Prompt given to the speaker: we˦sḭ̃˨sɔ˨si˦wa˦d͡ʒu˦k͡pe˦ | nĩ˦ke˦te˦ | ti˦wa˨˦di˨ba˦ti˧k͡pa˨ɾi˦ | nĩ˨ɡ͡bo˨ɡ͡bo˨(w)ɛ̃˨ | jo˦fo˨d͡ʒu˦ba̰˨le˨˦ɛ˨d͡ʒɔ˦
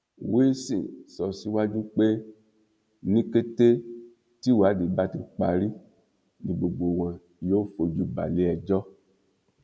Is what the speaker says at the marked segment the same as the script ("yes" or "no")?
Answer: yes